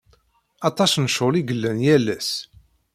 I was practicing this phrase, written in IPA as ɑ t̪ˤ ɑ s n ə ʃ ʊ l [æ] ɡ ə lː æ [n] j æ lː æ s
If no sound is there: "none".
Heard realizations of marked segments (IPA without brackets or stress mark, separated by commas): i, n